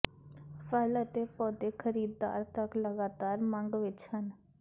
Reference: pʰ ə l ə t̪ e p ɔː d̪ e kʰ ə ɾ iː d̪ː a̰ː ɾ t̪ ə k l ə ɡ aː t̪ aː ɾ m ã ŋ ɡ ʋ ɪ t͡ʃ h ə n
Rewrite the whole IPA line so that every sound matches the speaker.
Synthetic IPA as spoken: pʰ ə l ə t̪ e p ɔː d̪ e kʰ ə ɾ iː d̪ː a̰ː ɾ t̪ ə k l ə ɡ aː t̪ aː ɾ m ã ŋ ɡ ʋ ɪ t͡ʃ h ə n

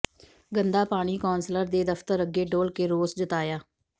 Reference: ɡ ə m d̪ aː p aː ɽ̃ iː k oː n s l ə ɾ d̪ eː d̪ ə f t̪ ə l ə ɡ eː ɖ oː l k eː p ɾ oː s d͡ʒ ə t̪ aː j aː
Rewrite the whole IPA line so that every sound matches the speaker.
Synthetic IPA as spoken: ɡ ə n d̪ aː p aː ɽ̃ iː k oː n s l ə ɾ d̪ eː d̪ ə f t̪ ə ɾ ə ɡ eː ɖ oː l k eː ɾ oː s d͡ʒ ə t̪ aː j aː

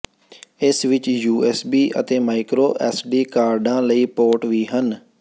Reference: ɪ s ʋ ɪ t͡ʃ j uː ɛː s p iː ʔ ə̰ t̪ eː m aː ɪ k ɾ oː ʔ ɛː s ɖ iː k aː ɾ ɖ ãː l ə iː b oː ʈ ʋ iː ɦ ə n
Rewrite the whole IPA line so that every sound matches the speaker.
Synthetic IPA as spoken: ɪ s ʋ ɪ t͡ʃ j uː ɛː s b iː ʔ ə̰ t̪ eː m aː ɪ k ɾ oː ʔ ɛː s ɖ iː k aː ɾ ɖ ãː l ə iː p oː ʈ ʋ iː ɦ ə n

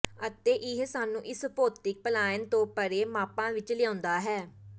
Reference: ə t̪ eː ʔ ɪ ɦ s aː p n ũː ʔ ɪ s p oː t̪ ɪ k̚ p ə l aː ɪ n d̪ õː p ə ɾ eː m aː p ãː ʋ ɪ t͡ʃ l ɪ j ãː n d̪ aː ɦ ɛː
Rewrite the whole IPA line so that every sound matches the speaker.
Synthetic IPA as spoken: ə t̪ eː ʔ ɪ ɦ s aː n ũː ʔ ɪ s p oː t̪ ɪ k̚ p ə l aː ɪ n t̪ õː p ə ɾ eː m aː p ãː ʋ ɪ t͡ʃ l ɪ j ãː n d̪ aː ɦ ɛː

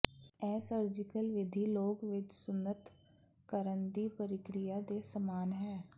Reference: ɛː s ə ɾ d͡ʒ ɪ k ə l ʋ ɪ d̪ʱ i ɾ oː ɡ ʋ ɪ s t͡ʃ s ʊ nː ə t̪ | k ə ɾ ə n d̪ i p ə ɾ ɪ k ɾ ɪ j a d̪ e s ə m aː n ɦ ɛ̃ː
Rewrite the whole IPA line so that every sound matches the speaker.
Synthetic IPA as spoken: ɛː s ə ɾ d͡ʒ ɪ k ə l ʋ ɪ d̪ʱ i l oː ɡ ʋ ɪ t͡ʃ s ʊ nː ə t̪ | k ə ɾ ə n d̪ i p ə ɾ ɪ k ɾ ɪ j a d̪ e s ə m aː n ɦ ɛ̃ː

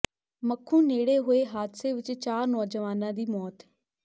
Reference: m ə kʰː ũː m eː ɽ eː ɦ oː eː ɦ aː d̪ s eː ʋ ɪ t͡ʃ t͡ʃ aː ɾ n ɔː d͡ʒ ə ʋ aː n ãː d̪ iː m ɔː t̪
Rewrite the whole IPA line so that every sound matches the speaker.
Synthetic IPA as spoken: m ə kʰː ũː n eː ɽ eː ɦ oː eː ɦ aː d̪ s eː ʋ ɪ t͡ʃ t͡ʃ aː ɾ n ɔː d͡ʒ ə ʋ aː n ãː d̪ iː m ɔː t̪

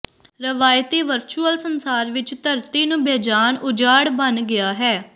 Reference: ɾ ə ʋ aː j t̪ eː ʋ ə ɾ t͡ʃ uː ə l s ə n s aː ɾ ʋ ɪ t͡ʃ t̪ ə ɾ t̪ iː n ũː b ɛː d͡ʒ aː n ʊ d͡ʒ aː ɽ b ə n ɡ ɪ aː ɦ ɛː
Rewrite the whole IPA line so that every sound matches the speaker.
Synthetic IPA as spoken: ɾ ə ʋ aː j t̪ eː ʋ ə ɾ t͡ʃ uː ə l s ə n s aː ɾ ʋ ɪ t͡ʃ t̪ ə ɾ t̪ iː n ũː b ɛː d͡ʒ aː n ʊ d͡ʒ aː ɽ b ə n ɡ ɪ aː ɦ ɛː

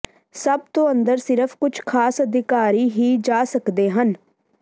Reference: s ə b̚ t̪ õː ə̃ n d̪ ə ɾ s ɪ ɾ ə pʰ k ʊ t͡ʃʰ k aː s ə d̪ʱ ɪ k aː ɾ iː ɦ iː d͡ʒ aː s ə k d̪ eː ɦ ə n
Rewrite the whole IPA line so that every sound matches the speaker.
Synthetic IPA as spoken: s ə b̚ t̪ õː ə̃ n d̪ ə ɾ s ɪ ɾ ə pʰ k ʊ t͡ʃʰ kʰ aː s ə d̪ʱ ɪ k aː ɾ iː ɦ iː d͡ʒ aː s ə k d̪ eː ɦ ə n

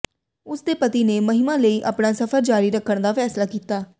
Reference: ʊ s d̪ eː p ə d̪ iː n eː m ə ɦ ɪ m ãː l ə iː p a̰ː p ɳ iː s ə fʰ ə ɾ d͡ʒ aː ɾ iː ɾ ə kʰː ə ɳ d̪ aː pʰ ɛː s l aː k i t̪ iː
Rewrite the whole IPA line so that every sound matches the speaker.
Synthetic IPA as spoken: ʊ s d̪ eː p ə t̪ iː n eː m ə ɦ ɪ m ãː l ə iː ʔ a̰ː p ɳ aː s ə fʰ ə ɾ d͡ʒ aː ɾ iː ɾ ə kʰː ə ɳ d̪ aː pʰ ɛː s l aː k iː t̪ aː

